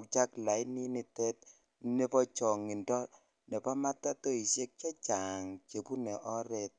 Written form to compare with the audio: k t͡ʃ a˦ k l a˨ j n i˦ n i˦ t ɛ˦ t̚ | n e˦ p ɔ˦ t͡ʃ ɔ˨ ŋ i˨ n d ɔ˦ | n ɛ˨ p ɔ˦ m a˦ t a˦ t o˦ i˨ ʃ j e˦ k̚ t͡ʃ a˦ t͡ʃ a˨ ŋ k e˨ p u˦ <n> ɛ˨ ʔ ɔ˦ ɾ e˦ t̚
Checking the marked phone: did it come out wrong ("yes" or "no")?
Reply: no